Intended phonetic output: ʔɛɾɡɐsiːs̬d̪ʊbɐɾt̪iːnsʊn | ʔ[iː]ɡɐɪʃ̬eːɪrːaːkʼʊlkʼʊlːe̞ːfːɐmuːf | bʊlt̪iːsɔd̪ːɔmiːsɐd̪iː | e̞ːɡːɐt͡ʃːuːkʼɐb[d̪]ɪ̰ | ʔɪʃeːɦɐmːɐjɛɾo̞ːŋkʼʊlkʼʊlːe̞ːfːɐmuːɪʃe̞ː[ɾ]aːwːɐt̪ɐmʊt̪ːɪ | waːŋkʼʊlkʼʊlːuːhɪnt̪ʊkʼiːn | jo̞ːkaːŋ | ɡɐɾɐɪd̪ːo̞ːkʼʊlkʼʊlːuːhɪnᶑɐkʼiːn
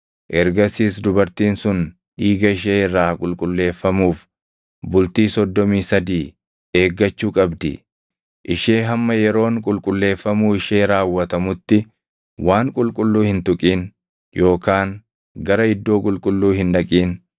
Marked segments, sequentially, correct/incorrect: correct, correct, correct

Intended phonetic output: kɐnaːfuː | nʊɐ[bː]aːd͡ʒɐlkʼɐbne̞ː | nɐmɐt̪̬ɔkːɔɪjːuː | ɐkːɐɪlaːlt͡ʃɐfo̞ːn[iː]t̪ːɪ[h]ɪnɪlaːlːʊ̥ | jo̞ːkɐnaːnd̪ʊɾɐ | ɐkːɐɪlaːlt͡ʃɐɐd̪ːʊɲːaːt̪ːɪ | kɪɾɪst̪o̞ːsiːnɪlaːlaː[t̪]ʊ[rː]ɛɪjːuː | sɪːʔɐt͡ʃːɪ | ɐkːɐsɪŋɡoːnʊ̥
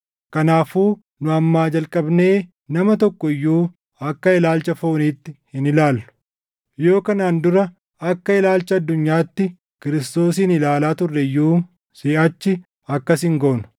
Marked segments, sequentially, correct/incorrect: incorrect, correct, correct, correct, correct

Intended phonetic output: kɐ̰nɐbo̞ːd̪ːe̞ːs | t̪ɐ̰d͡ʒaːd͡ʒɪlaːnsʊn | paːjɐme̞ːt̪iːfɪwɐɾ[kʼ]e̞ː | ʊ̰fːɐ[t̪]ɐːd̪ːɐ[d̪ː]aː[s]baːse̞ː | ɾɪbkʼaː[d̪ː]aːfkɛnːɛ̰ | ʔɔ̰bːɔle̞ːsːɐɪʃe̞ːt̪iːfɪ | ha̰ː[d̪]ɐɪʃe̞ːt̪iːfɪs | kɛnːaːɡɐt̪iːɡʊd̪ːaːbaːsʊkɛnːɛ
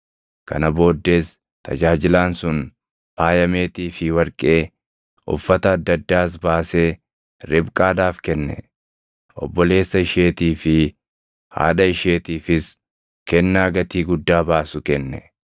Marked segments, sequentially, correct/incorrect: correct, correct, correct, correct, incorrect, correct

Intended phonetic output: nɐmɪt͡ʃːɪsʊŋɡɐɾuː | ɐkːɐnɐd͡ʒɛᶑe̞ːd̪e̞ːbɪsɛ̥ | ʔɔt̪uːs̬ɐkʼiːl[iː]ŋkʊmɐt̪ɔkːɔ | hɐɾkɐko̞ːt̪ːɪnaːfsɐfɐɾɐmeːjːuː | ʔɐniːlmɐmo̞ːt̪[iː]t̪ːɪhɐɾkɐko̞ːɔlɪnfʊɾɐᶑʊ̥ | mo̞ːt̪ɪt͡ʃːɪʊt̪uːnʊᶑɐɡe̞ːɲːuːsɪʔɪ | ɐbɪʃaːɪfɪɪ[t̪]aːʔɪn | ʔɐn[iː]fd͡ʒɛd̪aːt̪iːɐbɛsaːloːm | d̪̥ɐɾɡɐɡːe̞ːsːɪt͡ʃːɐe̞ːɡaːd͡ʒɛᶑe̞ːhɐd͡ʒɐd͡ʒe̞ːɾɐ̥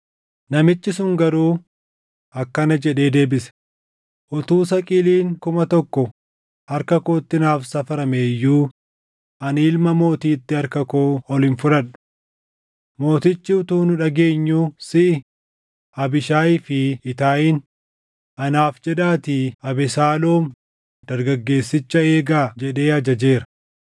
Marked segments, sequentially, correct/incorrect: correct, correct, correct, incorrect

